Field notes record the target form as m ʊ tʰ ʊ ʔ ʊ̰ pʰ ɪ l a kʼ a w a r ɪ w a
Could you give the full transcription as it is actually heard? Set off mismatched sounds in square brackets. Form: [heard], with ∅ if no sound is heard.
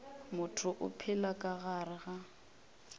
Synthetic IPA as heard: m ʊ tʰ ʊ ʔ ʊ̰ pʰ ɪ l a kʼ a [ɣ] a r ɪ [ɣ] a